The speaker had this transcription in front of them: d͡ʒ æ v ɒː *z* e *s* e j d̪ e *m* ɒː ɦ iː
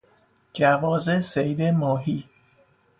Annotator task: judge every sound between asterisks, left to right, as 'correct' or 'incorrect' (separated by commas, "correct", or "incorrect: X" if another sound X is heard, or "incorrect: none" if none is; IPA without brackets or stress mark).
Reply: correct, correct, correct